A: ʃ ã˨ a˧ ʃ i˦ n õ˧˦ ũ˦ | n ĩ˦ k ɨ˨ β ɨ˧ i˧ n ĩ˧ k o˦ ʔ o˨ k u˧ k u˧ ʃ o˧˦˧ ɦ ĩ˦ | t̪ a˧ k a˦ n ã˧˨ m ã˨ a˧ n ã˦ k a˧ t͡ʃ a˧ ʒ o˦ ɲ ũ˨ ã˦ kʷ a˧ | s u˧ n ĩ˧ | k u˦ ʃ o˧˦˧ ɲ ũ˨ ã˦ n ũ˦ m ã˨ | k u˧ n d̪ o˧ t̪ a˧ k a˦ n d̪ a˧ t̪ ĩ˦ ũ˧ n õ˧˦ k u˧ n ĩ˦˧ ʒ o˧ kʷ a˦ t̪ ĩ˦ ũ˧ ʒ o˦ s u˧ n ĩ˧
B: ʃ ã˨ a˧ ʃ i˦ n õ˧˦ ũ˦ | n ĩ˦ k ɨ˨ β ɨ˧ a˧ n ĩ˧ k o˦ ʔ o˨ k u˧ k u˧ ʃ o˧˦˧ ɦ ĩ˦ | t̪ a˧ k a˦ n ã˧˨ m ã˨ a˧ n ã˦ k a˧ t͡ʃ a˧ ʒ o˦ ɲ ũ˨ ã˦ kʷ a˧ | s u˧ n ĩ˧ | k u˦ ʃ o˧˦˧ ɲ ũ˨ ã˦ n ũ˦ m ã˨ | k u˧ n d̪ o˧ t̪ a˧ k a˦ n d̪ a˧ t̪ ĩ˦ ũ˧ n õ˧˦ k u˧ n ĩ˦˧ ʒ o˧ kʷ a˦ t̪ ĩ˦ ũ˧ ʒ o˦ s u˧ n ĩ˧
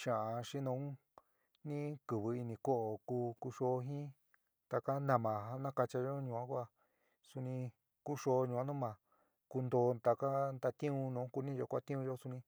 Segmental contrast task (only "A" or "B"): A